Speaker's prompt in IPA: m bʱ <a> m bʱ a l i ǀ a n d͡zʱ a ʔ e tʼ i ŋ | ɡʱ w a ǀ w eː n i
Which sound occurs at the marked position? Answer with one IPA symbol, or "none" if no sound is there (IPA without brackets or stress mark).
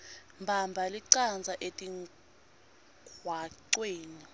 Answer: a